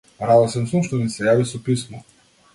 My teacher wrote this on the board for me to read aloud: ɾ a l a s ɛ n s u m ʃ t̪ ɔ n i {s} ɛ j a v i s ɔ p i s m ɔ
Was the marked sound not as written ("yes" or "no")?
no